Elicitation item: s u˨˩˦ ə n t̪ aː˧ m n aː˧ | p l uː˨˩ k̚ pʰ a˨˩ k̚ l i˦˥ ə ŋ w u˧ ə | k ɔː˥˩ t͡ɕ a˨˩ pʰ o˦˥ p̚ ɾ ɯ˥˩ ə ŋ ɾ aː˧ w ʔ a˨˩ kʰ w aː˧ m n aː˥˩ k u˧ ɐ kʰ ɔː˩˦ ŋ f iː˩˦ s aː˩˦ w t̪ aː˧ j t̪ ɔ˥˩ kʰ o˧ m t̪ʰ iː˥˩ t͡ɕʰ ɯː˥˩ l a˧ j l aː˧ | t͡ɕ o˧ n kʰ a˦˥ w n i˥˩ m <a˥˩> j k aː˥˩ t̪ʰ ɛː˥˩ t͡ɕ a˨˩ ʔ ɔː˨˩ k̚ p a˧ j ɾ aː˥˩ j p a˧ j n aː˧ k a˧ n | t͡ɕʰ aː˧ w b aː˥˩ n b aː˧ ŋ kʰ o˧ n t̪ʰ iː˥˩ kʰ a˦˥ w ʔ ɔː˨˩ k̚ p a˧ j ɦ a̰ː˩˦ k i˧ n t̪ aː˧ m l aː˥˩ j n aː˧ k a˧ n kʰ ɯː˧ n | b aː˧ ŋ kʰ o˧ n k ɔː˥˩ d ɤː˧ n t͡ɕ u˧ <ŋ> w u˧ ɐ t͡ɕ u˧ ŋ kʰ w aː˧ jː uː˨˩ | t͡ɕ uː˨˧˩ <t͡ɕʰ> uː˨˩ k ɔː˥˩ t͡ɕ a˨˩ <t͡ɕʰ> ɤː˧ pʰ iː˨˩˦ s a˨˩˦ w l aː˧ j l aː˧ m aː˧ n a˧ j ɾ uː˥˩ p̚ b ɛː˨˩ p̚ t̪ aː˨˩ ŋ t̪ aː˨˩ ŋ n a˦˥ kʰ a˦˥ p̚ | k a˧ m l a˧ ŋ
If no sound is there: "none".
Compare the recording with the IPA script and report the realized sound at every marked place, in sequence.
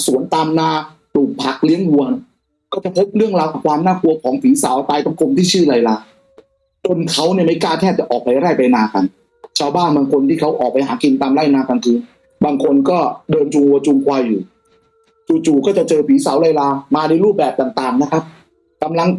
a˥˩, ŋ, t͡ɕ, t͡ɕ

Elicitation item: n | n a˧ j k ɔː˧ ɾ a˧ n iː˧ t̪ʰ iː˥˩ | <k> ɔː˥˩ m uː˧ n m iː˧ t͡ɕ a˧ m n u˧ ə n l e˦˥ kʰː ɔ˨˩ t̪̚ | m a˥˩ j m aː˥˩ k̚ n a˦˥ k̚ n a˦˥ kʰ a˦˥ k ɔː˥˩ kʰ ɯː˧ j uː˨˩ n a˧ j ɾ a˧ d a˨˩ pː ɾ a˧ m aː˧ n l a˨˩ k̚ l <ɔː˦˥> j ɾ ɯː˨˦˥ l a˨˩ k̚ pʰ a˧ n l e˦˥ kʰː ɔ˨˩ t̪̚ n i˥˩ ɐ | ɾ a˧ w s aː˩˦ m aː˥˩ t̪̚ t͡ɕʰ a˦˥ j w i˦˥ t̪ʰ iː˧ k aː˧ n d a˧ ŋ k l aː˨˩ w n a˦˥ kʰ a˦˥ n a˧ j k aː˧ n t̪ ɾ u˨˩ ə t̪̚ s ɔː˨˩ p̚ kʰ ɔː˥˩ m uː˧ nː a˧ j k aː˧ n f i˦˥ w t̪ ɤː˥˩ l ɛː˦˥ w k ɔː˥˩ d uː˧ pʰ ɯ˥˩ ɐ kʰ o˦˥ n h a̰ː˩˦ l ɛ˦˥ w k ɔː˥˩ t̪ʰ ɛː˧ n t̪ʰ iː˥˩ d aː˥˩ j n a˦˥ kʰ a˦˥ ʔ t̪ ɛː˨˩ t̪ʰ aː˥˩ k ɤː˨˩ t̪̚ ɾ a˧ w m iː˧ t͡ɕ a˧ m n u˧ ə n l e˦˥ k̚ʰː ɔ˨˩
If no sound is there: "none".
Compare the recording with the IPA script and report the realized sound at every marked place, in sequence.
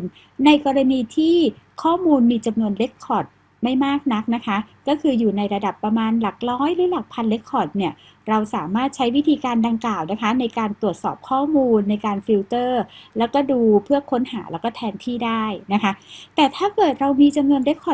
kʰ, ɔː˦˥

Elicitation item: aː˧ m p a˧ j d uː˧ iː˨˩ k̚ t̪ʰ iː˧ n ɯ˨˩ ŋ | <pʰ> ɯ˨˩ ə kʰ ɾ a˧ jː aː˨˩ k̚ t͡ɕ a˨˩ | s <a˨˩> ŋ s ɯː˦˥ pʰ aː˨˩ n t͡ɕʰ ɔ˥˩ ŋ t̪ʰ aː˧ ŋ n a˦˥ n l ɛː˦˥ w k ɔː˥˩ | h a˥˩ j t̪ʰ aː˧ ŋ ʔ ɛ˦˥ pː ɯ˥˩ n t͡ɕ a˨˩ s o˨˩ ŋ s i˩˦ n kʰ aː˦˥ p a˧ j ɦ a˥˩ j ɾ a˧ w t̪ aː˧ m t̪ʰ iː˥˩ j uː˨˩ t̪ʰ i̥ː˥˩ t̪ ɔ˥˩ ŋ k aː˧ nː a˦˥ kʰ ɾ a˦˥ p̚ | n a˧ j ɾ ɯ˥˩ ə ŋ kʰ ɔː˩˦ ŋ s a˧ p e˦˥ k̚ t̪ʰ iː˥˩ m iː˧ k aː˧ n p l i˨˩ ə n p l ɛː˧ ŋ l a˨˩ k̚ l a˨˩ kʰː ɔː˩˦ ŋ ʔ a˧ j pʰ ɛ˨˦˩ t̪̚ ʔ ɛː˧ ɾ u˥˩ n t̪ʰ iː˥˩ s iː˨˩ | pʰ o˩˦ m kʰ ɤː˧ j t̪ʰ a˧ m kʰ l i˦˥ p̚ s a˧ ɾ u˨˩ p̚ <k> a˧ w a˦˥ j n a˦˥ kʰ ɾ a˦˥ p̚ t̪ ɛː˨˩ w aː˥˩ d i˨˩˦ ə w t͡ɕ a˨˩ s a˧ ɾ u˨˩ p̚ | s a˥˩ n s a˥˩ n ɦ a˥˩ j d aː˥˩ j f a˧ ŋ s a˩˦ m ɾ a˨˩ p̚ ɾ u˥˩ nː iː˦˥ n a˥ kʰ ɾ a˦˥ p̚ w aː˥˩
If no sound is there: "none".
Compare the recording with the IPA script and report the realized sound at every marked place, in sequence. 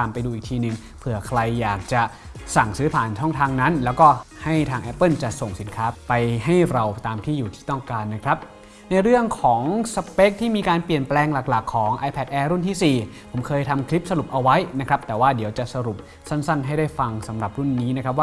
pʰ, a˨˩, ʔ

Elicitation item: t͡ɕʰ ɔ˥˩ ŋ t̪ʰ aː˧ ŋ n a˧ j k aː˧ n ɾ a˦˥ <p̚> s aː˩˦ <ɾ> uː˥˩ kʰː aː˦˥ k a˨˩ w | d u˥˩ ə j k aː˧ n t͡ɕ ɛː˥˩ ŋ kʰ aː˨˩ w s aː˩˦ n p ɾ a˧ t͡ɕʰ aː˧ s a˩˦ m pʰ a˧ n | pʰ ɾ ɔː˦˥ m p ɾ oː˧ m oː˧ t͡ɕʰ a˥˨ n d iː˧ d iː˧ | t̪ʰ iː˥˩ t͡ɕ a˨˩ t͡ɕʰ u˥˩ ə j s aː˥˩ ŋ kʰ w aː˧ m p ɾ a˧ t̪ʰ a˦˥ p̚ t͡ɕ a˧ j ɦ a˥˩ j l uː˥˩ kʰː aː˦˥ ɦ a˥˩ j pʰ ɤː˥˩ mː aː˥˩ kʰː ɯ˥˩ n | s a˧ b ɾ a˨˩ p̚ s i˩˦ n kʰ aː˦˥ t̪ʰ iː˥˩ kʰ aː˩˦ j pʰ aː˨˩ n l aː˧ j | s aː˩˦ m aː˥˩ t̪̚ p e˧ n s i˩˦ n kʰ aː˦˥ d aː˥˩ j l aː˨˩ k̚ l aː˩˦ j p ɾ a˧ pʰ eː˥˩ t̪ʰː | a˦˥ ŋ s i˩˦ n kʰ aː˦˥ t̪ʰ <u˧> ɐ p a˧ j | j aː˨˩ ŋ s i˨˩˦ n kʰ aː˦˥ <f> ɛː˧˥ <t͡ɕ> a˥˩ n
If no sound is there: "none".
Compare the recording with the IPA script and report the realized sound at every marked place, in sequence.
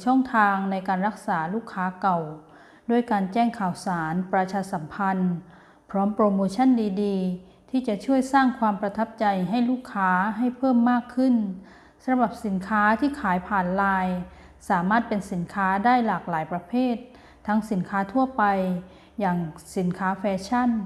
k̚, l, u˥˩, f, t͡ɕʰ

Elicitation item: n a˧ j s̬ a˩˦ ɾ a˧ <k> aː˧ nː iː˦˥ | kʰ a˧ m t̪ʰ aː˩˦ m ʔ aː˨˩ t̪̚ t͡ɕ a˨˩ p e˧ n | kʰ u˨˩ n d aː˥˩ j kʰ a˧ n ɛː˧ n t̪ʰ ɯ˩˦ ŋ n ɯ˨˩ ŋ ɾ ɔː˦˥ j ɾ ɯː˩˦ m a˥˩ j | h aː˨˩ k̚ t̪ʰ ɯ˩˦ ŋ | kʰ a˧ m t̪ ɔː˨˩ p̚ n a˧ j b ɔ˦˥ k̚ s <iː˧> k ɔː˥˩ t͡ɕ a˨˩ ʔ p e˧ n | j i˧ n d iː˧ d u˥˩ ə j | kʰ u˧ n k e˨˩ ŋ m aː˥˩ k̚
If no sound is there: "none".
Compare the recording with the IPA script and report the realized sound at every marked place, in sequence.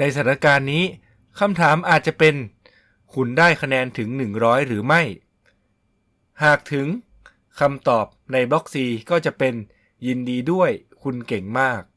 k, iː˧

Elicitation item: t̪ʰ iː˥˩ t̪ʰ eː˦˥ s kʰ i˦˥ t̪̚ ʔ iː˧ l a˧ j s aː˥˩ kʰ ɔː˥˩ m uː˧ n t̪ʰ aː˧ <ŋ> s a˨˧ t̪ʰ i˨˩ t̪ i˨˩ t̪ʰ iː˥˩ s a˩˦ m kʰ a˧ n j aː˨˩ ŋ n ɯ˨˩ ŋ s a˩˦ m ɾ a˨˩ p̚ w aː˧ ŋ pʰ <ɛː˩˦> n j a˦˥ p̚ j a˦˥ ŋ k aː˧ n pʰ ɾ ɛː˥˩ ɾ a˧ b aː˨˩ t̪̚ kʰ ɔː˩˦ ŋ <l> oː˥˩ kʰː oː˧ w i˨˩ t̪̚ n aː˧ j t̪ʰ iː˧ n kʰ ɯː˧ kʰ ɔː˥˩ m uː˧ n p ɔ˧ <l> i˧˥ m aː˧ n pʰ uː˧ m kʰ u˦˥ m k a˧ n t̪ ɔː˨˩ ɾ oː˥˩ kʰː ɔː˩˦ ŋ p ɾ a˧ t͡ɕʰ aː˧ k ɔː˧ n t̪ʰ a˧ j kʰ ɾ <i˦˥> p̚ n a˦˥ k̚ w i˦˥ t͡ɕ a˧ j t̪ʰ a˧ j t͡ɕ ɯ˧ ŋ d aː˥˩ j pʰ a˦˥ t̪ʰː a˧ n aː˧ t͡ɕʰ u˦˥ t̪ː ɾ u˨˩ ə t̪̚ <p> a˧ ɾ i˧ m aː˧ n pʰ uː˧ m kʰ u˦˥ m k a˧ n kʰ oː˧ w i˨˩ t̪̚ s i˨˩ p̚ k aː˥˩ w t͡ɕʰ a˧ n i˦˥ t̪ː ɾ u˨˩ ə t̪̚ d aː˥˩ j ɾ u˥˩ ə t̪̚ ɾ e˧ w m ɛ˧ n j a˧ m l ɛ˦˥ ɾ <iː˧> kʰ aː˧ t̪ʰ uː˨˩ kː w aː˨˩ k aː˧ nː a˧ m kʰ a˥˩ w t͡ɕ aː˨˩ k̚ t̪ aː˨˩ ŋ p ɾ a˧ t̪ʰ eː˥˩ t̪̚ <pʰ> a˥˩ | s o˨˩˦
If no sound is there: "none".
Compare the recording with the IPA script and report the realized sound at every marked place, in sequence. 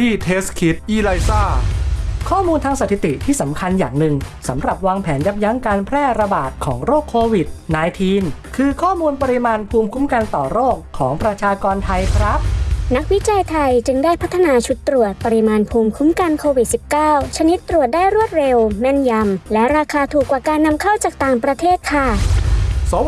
ŋ, ɛː˩˦, ɾ, ɾ, a˦˥, p, aː˧, kʰ

